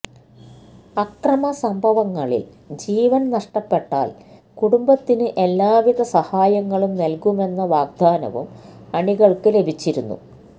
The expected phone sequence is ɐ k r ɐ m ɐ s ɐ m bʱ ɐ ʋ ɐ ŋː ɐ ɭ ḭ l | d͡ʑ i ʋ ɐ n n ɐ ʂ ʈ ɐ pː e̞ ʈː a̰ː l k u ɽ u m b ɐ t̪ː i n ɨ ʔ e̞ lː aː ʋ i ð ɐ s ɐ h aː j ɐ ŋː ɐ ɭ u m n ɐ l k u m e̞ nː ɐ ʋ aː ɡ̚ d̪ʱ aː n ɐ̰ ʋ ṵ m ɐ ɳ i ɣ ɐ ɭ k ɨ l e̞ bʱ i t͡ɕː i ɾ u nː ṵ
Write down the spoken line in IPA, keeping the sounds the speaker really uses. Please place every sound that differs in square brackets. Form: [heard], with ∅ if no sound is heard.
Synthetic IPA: ɐ k r ɐ m ɐ s ɐ m bʱ ɐ ʋ ɐ ŋː ɐ ɭ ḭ l | d͡ʑ [iː] ʋ ɐ n n ɐ ʂ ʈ ɐ pː e̞ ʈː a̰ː l k u ɽ u m b ɐ t̪ː i n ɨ ʔ e̞ lː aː ʋ i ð ɐ s ɐ h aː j ɐ ŋː ɐ ɭ u m n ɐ l k u m e̞ nː ɐ ʋ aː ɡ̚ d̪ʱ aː n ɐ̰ ʋ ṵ m ɐ ɳ i ɣ ɐ ɭ k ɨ l e̞ bʱ i t͡ɕː i ɾ u nː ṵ